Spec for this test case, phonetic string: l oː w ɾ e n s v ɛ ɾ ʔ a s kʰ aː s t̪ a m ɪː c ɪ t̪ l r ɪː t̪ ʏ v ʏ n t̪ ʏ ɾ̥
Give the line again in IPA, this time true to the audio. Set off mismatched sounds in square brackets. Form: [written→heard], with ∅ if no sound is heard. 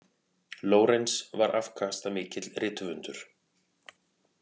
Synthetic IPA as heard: l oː w ɾ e n s v [ɛ→a] ɾ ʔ a [s→f] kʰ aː s t̪ a m ɪː c ɪ t̪ l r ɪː t̪ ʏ v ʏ n t̪ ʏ ɾ̥